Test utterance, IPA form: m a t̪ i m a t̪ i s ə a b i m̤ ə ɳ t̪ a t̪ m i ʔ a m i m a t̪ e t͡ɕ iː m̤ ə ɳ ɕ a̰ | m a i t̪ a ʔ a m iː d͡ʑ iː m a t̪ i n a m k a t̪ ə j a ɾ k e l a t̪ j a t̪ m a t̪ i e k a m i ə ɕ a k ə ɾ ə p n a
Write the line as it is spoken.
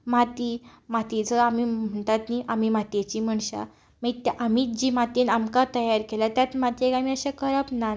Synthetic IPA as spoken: m a t̪ i m a t̪ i t͡s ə a m i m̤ ə ɳ t̪ a t̪ n i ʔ a m i m a t̪ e t͡ɕ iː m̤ ə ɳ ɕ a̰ | m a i t̪ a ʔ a m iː d͡ʑ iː m a t̪ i n a m k a t̪ ə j a ɾ k e l a t̪ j a t̪ m a t̪ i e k a m i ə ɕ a k ə ɾ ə p n a